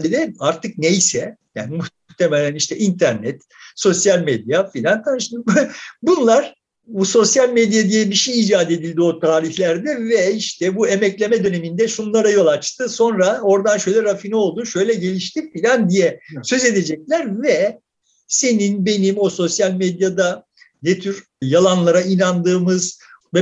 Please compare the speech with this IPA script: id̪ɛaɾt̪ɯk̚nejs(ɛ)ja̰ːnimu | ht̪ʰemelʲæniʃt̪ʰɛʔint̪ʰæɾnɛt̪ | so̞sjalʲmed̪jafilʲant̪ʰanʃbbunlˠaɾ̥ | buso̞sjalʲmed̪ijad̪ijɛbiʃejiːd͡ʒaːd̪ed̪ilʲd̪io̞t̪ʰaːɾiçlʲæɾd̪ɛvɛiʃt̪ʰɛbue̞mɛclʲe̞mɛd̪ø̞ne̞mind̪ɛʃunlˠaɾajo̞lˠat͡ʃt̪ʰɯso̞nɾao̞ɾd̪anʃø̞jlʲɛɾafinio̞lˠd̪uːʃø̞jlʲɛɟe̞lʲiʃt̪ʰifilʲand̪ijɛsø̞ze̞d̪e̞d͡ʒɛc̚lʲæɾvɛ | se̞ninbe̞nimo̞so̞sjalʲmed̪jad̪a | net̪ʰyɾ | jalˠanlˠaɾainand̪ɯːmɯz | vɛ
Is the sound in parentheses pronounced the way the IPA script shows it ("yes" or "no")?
yes